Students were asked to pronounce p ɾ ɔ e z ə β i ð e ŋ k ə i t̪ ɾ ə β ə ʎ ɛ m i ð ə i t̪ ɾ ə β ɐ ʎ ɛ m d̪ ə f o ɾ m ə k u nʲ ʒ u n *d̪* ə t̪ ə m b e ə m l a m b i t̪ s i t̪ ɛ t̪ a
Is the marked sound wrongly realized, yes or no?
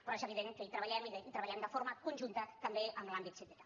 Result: yes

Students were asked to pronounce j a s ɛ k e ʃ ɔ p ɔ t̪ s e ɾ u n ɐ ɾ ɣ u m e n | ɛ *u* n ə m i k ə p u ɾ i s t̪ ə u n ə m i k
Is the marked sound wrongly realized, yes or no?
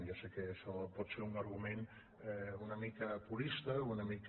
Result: no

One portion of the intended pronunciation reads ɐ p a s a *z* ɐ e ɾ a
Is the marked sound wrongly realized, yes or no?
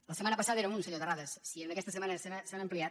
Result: yes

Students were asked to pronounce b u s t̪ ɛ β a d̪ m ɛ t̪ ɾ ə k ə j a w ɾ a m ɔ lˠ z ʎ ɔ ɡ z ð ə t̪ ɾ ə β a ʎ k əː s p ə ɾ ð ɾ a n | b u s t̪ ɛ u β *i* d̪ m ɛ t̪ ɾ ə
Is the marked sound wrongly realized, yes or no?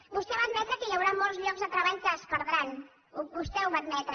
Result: yes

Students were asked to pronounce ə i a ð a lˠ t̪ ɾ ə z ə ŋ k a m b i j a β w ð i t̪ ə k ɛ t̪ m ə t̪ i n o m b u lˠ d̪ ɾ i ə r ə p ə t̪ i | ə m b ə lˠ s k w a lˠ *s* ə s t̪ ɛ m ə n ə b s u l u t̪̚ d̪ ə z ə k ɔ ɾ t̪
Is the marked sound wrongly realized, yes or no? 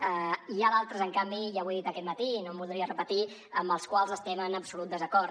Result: yes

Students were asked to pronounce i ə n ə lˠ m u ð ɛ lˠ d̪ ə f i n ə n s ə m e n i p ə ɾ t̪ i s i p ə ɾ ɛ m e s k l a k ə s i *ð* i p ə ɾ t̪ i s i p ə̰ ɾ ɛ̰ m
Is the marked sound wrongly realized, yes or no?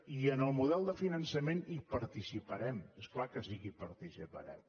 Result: yes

